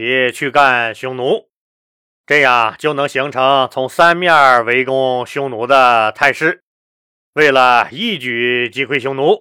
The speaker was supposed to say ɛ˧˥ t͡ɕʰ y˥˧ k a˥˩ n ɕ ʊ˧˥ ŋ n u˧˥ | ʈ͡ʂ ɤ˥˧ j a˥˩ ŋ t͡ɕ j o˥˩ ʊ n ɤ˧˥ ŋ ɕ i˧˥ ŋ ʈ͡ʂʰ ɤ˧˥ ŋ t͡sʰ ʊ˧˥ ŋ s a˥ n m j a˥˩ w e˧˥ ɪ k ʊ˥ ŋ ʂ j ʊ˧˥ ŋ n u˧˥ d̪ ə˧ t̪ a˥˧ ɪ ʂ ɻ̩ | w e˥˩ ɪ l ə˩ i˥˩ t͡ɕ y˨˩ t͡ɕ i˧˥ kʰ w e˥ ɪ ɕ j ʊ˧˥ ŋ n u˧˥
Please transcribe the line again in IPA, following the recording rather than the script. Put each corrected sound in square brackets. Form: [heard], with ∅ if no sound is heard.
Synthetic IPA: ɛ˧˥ t͡ɕʰ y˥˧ k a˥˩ n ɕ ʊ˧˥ ŋ n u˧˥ | ʈ͡ʂ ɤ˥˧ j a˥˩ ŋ t͡ɕ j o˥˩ ʊ n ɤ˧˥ ŋ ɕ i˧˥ ŋ ʈ͡ʂʰ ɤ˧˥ ŋ t͡sʰ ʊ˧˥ ŋ s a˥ n m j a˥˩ w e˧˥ ɪ k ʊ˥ ŋ [ɕ] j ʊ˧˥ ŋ n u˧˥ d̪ ə˧ [t̪ʰ] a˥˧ ɪ ʂ ɻ̩ | w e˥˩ ɪ l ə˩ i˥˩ t͡ɕ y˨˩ t͡ɕ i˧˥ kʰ w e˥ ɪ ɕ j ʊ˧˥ ŋ n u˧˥